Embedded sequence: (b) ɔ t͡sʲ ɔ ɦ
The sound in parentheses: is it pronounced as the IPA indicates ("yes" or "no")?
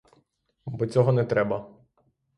yes